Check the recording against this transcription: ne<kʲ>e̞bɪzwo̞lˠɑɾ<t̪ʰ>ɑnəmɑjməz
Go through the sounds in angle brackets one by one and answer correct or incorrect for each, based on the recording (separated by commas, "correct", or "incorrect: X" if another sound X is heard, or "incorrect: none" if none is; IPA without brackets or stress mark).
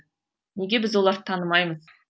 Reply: incorrect: ɡʲ, correct